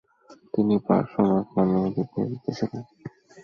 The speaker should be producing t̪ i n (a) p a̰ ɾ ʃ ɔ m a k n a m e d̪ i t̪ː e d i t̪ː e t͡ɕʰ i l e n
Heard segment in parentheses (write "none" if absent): i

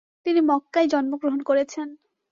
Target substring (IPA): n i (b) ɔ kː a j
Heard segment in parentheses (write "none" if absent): m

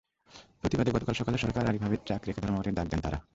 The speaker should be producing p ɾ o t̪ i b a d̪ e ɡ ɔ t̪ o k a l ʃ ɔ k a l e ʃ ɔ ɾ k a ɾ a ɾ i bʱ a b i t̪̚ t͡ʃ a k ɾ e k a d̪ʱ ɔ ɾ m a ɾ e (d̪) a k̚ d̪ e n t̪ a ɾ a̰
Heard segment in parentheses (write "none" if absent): d̪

